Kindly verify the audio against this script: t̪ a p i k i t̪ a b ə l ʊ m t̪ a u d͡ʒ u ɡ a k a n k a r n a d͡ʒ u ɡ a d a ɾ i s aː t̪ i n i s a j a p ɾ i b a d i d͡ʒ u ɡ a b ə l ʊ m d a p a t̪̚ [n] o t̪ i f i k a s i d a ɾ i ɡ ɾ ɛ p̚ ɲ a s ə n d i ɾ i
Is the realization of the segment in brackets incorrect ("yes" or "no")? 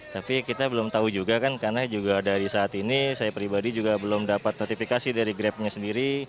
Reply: no